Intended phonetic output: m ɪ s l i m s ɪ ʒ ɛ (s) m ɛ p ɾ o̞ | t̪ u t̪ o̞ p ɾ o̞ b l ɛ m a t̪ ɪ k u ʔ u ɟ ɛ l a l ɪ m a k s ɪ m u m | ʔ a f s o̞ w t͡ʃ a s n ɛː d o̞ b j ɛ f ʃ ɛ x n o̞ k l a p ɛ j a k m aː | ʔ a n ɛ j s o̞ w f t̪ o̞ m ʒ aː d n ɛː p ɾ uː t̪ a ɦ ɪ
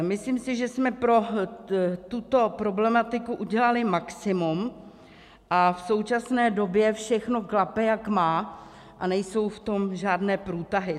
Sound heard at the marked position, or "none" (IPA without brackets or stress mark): s